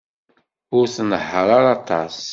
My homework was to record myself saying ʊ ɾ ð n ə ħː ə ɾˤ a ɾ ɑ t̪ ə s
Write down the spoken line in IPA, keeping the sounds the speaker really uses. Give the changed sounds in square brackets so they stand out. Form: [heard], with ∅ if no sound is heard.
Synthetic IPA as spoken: ʊ ɾ [θ] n ə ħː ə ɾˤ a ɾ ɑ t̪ [ɑ] s